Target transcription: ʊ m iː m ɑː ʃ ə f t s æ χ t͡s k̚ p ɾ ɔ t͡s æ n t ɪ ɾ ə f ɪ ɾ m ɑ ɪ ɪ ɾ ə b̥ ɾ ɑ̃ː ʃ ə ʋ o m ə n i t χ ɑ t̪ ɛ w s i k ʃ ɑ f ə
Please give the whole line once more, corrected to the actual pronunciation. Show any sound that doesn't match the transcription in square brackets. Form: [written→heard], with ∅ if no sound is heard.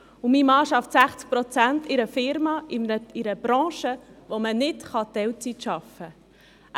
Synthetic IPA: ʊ m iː m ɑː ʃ [ə→ɑ] f t s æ χ t͡s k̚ p ɾ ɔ t͡s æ n t ɪ ɾ ə f ɪ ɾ m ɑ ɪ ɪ ɾ ə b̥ ɾ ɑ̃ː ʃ ə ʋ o m ə n [i→ɪ] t χ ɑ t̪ ɛ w [s→t͡s] i [k→t] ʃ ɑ f ə